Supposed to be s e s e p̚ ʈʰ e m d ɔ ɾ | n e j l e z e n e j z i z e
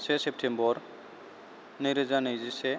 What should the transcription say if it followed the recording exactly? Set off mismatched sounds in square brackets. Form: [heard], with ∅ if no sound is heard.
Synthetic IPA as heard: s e s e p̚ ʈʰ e m [b] ɔ ɾ | n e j [ɾ] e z [a] n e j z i [s] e